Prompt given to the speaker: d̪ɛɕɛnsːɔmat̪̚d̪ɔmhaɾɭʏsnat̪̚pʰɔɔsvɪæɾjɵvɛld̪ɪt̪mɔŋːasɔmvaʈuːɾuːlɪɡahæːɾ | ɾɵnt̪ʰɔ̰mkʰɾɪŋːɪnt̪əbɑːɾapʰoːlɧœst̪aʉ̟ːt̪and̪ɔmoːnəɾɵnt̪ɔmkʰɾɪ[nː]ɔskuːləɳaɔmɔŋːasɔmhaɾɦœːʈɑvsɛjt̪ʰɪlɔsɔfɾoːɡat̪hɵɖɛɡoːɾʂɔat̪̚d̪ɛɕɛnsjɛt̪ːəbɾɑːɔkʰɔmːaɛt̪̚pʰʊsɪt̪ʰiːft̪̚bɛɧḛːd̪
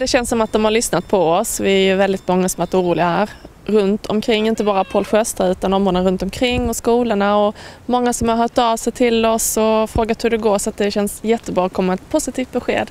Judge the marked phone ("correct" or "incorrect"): incorrect